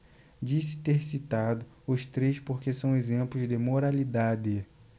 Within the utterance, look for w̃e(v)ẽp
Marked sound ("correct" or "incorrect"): incorrect